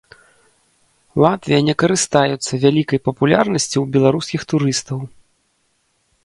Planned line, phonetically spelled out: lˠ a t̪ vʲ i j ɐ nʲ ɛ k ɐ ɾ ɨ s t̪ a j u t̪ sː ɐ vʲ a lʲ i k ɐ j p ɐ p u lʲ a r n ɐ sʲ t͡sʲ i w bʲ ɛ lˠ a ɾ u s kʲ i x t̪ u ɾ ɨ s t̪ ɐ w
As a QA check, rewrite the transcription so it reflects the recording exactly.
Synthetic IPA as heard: lˠ a t̪ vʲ i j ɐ nʲ ɛ k ɐ ɾ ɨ s t̪ a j u t̪ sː ɐ vʲ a lʲ i k ɐ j p ɐ p u lʲ a r n ɐ sʲ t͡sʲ i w bʲ ɛ lˠ a ɾ u s kʲ i x t̪ u ɾ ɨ s t̪ ɐ w